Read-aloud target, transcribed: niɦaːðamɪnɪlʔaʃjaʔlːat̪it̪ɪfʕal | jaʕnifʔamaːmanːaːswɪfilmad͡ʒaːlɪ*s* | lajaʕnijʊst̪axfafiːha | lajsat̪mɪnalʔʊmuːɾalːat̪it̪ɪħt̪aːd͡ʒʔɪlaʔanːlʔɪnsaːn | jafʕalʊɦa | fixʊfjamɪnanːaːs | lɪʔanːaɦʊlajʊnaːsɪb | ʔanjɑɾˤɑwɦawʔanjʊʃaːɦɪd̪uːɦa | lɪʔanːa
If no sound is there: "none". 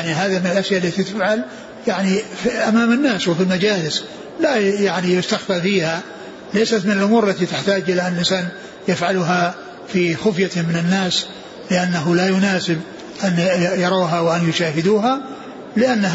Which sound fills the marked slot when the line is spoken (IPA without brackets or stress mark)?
s